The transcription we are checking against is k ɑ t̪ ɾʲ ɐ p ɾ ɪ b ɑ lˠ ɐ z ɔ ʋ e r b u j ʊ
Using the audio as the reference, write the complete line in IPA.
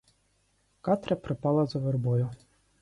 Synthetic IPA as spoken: k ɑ t̪ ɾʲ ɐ p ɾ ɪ p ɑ lˠ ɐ z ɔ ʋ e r b ɔ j ʊ